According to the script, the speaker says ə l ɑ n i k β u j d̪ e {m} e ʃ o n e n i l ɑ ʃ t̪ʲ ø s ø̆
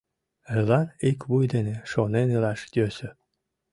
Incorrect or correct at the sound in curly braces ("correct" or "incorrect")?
incorrect